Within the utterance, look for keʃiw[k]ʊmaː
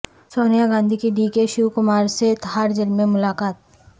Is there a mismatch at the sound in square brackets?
no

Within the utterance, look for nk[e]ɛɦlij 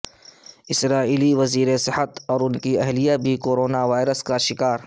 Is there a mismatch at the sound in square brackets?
yes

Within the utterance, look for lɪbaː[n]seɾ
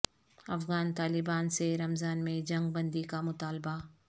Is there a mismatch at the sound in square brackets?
no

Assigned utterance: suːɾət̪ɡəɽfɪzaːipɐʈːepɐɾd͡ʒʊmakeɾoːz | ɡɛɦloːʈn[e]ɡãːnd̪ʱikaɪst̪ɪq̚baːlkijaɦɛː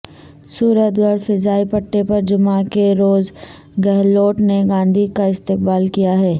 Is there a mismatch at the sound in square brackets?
no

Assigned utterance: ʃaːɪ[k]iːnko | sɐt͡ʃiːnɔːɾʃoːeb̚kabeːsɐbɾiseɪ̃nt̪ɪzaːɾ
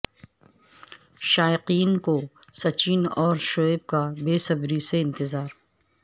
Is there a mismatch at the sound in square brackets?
yes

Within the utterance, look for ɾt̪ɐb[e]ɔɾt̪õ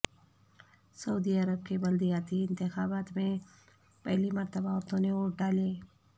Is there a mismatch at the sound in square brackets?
yes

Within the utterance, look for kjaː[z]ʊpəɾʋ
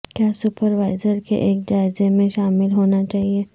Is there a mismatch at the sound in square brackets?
yes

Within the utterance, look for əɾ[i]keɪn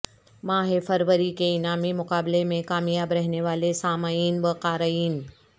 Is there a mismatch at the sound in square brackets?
no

